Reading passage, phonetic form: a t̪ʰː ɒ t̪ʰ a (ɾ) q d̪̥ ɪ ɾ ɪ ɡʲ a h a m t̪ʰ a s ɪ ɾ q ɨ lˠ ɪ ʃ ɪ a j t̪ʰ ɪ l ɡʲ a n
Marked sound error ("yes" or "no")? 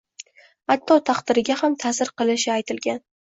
yes